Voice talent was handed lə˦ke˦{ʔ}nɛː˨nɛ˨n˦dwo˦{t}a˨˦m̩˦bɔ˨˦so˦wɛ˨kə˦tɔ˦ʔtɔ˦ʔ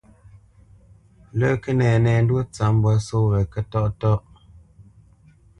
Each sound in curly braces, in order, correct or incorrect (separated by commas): incorrect, incorrect